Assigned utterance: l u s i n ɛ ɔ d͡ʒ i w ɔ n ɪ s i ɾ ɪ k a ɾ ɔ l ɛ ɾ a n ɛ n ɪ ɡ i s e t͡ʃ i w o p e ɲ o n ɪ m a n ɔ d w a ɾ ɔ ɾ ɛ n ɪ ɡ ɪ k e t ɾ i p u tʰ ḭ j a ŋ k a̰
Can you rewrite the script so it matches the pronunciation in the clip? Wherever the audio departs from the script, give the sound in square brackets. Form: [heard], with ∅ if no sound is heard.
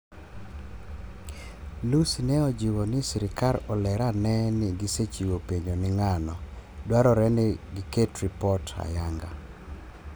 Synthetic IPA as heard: l u s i n ɛ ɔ d͡ʒ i w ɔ n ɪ s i ɾ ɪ k a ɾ ɔ l ɛ ɾ a n ɛ n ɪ ɡ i s e t͡ʃ i w o p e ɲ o n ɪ [ŋ] a n ɔ d w a ɾ ɔ ɾ ɛ n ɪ ɡ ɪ k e t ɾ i p [ɔ] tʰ [a̰] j a ŋ [ɡ] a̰